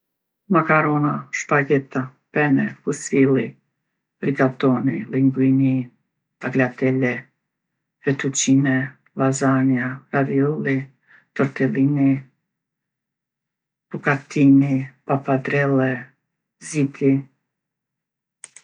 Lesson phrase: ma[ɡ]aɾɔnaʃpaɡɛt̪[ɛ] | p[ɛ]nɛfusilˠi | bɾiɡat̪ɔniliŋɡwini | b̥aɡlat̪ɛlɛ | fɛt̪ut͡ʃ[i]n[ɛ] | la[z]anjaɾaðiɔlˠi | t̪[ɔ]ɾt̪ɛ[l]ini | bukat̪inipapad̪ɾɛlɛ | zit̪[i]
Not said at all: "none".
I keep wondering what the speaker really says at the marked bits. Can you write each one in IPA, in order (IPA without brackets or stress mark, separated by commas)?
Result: k, a, ɛ, i, ɛ, z, ɔ, l, i